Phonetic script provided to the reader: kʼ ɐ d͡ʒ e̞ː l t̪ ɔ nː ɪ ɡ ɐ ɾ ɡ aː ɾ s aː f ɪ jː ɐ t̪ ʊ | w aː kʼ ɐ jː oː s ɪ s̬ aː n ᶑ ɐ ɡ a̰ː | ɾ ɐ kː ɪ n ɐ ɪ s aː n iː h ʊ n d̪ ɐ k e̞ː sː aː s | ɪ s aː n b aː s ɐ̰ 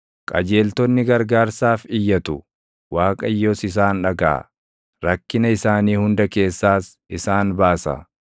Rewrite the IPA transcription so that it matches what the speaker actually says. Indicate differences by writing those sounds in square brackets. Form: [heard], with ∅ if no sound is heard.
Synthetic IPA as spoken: kʼ ɐ d͡ʒ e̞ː l t̪ ɔ nː ɪ ɡ ɐ ɾ ɡ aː ɾ s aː f ɪ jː ɐ t̪ ʊ | w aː kʼ ɐ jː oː s ɪ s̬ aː n ᶑ ɐ ɡ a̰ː | ɾ ɐ kː ɪ n ɐ ɪ s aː n iː h ʊ n d̪ ɐ k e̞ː sː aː s | ɪ s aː n b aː s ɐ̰